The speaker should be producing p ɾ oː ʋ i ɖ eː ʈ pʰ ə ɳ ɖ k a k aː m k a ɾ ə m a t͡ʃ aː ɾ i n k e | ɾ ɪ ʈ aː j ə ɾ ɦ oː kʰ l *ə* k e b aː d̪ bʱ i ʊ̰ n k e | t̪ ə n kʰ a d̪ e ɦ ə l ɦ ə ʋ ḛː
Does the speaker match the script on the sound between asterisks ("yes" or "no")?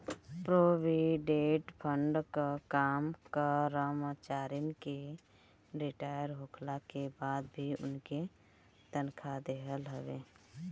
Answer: no